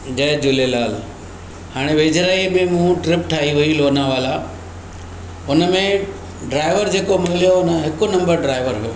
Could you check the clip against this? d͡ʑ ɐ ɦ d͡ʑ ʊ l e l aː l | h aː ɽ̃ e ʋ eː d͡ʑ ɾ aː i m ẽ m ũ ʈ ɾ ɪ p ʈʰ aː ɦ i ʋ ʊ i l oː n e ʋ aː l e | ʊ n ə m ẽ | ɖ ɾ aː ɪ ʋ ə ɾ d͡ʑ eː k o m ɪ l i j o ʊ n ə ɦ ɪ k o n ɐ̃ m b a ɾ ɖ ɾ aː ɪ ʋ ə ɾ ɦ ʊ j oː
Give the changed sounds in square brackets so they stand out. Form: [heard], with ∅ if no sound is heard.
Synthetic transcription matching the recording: d͡ʑ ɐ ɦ d͡ʑ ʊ l e l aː l | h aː ɽ̃ e ʋ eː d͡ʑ ɾ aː i m ẽ m ũ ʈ ɾ ɪ p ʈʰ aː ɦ i ʋ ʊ i l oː n [a] ʋ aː l [a] | ʊ n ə m ẽ | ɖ ɾ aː ɪ ʋ ə ɾ d͡ʑ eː k o m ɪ l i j o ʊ n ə ɦ ɪ k o n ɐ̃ m b [ə] ɾ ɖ ɾ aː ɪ ʋ ə ɾ ɦ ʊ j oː